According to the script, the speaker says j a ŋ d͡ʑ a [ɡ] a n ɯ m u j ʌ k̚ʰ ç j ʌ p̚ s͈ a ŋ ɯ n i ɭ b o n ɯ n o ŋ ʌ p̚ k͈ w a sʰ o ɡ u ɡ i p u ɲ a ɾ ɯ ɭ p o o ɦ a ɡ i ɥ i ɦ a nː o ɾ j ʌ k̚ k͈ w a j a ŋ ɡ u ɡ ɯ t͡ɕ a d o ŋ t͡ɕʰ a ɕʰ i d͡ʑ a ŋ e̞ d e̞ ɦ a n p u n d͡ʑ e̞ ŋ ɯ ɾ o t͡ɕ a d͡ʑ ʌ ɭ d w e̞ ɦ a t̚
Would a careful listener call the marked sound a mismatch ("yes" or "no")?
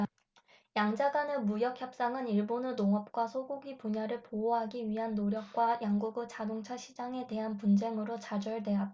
no